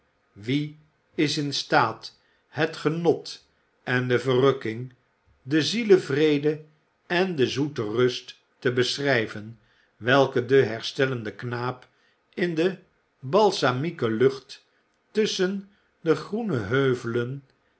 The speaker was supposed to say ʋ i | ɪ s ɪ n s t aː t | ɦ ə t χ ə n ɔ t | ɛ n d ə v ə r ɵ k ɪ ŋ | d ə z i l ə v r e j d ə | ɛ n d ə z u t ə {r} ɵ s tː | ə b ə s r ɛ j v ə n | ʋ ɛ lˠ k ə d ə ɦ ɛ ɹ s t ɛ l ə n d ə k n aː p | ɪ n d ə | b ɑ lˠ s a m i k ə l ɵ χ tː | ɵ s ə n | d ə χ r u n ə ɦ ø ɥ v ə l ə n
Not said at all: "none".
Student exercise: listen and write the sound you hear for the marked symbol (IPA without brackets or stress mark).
r